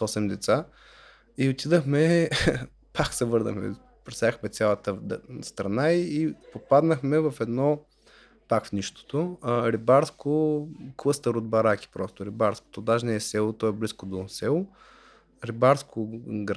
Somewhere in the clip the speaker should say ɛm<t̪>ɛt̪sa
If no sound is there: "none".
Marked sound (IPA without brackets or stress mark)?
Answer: d̪